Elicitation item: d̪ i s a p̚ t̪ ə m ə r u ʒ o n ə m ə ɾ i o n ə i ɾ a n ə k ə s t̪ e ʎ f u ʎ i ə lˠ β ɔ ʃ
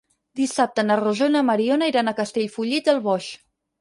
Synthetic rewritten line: d̪ i s a p̚ t̪ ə n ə r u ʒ o n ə m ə ɾ i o n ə i ɾ a n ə k ə s t̪ e ʎ f u ʎ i ə lˠ β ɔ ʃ